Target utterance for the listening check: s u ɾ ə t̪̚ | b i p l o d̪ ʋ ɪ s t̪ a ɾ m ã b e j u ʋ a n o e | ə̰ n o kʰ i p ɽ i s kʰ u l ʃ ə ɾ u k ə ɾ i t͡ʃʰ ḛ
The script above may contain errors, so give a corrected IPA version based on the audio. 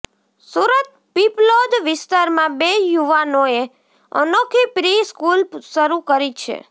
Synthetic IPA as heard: s u ɾ ə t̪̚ | p i p l o d̪ ʋ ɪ s t̪ a ɾ m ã b e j u ʋ a n o e | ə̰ n o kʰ i p ɾ i s k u l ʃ ə ɾ u k ə ɾ i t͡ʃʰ ḛ